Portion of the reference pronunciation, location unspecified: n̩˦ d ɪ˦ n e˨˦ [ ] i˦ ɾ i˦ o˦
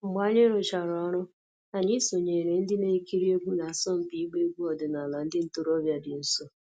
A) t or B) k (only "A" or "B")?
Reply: B